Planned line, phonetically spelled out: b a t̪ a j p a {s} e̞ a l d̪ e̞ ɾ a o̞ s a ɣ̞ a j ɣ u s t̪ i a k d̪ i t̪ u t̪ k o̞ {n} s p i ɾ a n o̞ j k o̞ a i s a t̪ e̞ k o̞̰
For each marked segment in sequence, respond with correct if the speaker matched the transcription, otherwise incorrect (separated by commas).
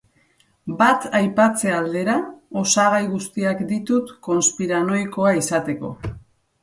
incorrect, correct